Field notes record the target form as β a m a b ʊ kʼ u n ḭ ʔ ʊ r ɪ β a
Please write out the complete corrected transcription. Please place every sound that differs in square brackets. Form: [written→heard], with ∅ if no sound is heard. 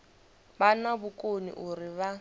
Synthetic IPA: [β→b] a [m→n] a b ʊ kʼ [u→o] n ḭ ʔ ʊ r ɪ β a